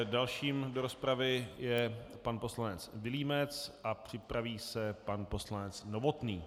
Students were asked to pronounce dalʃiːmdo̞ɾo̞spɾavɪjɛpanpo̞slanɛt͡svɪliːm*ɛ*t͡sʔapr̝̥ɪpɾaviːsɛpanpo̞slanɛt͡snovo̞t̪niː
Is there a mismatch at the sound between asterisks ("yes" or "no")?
no